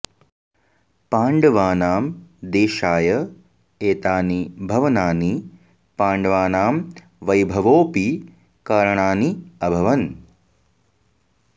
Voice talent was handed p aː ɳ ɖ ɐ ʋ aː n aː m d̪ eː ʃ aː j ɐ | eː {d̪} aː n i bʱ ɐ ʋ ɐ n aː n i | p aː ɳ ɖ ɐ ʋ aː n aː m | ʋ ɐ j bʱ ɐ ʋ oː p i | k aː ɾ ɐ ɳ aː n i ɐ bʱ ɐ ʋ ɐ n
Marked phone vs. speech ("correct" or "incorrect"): incorrect